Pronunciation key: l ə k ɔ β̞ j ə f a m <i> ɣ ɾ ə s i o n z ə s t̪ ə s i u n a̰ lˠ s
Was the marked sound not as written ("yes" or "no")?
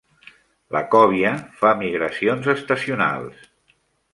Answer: no